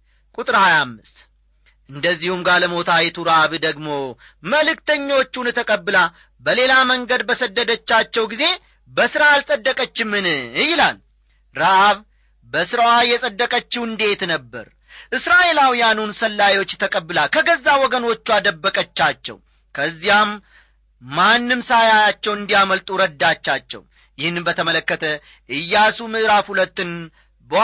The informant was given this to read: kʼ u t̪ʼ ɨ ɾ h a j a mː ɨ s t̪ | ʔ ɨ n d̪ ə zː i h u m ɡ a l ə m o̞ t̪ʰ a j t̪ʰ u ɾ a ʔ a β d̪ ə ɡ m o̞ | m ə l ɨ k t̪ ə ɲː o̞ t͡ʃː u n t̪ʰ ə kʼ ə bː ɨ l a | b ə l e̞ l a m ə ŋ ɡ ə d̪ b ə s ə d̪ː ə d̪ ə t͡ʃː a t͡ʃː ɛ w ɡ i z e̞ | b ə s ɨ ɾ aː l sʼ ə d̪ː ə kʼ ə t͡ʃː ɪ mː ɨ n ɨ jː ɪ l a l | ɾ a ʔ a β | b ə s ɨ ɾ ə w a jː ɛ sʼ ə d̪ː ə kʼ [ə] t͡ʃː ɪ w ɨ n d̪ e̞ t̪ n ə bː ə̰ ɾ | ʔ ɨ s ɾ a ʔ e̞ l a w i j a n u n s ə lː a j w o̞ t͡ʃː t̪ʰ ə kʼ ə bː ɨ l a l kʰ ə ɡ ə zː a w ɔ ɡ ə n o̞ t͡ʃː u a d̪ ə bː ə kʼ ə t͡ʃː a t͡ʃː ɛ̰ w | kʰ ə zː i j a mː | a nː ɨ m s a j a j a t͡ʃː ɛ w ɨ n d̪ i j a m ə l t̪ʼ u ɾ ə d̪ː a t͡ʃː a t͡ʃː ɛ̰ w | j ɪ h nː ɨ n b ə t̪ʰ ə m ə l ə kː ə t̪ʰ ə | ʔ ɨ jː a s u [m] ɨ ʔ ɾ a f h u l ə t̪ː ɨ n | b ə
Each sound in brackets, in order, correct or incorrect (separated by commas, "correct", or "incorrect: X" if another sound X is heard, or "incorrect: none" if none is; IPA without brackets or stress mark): correct, correct